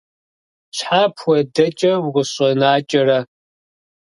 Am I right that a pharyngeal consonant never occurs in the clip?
no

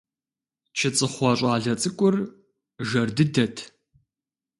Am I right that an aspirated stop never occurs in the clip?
no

